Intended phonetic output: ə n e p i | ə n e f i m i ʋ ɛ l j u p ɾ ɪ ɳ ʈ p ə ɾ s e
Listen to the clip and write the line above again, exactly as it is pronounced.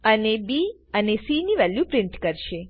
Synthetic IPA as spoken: ə n e b i | ə n e s i n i ʋ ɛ l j u p ɾ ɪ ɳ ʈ k ə ɾ ʃ e